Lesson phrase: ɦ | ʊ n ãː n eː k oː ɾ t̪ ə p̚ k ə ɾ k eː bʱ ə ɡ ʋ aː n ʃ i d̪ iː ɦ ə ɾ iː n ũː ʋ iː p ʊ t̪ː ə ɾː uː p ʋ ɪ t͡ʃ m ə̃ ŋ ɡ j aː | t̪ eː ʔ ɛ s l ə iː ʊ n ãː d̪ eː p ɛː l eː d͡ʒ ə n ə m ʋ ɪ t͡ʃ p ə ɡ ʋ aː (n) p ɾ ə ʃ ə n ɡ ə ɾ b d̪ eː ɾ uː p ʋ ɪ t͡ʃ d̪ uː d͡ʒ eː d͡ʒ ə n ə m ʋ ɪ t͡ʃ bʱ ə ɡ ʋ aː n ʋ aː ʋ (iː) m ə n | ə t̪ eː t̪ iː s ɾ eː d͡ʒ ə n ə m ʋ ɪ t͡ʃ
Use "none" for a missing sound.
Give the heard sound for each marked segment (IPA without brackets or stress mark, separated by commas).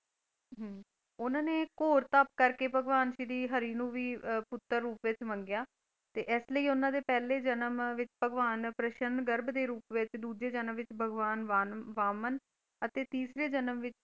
n, aː